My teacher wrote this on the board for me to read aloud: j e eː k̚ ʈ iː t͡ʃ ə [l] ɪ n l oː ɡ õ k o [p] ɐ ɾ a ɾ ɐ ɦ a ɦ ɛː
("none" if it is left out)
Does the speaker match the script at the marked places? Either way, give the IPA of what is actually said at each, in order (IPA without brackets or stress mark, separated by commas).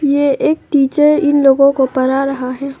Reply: ɾ, p